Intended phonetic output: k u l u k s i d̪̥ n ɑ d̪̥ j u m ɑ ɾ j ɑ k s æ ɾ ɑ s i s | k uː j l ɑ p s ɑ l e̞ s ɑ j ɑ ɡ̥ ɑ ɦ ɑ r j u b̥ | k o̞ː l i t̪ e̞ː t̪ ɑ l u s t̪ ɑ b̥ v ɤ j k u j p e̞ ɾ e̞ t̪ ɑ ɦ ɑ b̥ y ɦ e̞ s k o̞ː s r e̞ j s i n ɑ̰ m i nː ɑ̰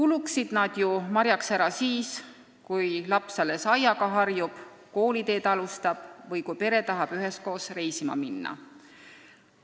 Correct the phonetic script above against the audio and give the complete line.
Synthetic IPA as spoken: k u l u k s i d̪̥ n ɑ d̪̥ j u m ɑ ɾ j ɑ k s æ ɾ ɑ s iː s | k u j l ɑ p s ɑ l e̞ s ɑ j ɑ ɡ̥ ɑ ɦ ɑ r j u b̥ | k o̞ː l i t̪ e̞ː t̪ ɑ l u s t̪ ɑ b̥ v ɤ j k u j p e̞ ɾ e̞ t̪ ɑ ɦ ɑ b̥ y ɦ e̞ s k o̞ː s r e̞ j s i m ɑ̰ m i nː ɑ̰